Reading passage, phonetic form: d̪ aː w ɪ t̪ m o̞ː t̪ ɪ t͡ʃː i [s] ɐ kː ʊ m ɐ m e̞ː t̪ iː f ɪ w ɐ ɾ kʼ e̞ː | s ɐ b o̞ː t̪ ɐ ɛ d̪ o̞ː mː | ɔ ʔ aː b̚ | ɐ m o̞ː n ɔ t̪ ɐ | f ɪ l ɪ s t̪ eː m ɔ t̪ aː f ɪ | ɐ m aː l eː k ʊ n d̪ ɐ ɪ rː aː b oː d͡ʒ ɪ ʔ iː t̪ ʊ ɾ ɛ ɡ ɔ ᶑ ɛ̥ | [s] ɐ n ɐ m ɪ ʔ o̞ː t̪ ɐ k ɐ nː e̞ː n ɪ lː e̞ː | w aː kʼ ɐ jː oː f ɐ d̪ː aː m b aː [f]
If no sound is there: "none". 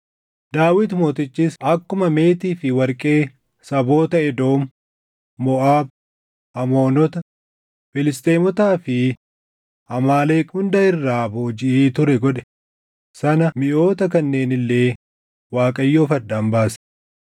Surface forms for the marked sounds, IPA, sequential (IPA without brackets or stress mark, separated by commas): s, s, s